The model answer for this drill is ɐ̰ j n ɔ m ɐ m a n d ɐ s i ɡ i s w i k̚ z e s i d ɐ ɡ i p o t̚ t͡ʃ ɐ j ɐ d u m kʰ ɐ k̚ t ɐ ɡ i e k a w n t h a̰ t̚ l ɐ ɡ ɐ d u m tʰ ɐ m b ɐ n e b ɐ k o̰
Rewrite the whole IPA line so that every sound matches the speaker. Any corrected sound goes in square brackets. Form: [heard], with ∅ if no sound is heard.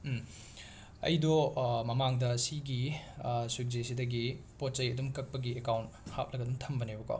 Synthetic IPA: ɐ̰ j [d] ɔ m ɐ m a [ŋ] d ɐ s i ɡ i s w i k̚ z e s i d ɐ ɡ i p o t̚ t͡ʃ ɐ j ɐ d u m [k] ɐ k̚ [p] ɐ ɡ i e k a w n t h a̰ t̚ l ɐ ɡ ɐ d u m tʰ ɐ m b ɐ n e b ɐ k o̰